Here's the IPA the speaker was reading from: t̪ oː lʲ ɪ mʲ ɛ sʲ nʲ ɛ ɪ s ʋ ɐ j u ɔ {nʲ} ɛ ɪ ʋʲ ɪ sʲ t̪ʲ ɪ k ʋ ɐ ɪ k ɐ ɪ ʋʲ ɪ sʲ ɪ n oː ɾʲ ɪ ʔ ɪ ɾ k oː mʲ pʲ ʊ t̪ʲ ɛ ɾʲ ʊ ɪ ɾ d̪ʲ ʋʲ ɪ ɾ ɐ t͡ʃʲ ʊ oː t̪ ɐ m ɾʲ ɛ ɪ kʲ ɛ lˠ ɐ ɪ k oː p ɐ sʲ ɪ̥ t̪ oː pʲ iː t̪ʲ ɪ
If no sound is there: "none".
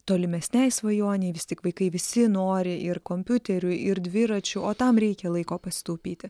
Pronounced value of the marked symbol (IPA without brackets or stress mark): nʲ